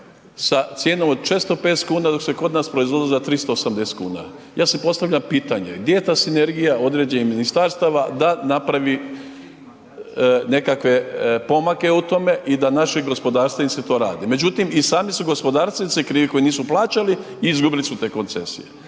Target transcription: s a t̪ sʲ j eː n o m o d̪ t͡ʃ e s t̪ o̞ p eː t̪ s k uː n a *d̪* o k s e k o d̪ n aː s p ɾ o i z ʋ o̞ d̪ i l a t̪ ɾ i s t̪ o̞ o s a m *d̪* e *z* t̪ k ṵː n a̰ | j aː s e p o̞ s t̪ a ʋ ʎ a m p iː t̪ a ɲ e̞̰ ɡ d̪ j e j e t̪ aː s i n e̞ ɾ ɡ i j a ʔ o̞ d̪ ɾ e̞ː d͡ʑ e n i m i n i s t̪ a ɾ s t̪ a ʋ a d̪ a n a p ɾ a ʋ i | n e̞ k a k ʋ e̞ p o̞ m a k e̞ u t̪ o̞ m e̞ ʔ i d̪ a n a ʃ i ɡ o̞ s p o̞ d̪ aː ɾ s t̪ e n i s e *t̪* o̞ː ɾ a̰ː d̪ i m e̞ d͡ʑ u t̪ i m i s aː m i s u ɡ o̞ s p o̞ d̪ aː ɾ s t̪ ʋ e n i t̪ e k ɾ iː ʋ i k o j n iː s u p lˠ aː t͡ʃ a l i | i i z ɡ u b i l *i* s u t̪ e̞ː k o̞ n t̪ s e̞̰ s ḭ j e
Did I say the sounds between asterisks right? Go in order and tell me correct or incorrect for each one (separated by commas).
correct, correct, incorrect, correct, correct